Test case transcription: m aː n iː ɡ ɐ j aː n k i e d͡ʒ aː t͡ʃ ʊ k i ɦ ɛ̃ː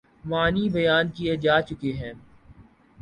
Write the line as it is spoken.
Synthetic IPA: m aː n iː b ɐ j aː n k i e d͡ʒ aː t͡ʃ ʊ k e ɦ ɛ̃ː